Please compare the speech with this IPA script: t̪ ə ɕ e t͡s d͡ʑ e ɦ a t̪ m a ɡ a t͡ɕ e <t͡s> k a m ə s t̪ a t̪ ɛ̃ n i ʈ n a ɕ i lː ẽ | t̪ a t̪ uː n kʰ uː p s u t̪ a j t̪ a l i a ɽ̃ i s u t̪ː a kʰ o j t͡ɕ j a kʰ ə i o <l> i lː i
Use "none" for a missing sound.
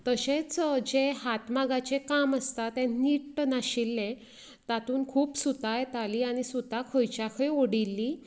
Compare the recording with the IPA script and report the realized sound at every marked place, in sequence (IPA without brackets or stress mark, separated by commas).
none, ɽ